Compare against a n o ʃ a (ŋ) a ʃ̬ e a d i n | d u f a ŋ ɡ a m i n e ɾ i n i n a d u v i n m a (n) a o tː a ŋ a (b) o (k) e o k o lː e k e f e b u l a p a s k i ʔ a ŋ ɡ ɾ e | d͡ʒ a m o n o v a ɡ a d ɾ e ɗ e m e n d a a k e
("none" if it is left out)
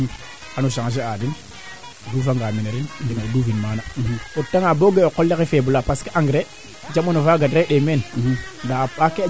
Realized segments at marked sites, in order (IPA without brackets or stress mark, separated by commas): ŋ, n, b, ɡ